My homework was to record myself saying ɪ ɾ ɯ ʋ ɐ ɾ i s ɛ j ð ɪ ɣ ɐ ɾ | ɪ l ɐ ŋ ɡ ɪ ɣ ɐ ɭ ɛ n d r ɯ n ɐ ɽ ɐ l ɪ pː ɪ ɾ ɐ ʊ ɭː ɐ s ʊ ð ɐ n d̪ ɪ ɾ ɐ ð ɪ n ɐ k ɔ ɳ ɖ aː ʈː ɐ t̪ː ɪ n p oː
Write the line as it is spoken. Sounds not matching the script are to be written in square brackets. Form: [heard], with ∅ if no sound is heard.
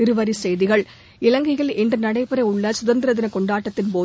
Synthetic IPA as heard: ɪ ɾ ɯ ʋ ɐ ɾ i s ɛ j ð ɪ ɣ ɐ [ɭ] | ɪ l ɐ ŋ ɡ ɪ ɣ ɐ ɭ ɛ n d r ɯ n ɐ ɽ ɐ [∅] ɪ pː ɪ ɾ ɐ ʊ ɭː ɐ s ʊ ð ɐ n d̪ ɪ ɾ ɐ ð ɪ n ɐ k ɔ ɳ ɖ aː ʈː ɐ t̪ː ɪ n p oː